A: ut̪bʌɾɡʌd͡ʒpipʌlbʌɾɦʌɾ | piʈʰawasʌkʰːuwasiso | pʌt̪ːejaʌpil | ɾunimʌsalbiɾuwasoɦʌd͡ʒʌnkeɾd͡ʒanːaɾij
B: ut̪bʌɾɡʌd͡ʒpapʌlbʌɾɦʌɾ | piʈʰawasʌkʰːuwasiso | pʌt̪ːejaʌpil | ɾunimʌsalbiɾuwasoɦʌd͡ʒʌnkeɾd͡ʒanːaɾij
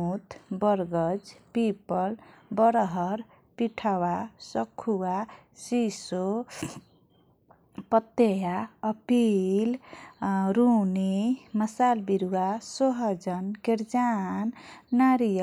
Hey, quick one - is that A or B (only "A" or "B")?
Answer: A